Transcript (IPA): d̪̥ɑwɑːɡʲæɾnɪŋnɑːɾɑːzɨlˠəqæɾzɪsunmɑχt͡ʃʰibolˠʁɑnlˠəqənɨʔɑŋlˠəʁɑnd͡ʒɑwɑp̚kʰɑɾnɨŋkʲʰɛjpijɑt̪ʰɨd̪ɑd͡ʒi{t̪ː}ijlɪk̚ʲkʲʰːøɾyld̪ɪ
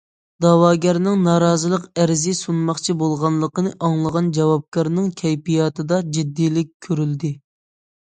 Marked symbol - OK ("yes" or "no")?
no